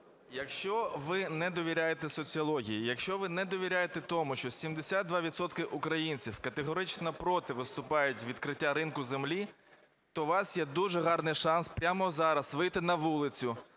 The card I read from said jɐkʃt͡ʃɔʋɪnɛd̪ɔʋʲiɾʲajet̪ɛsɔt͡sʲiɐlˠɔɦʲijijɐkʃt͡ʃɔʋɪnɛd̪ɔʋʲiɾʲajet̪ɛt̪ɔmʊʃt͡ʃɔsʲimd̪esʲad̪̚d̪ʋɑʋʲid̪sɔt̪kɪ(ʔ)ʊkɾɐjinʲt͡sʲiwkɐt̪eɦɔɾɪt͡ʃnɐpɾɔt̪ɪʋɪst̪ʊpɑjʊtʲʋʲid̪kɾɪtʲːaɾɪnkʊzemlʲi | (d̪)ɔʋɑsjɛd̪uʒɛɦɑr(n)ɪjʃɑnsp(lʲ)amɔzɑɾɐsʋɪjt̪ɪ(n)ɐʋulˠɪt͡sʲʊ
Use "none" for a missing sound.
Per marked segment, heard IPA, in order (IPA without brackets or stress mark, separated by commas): ʔ, t̪, n, ɾʲ, n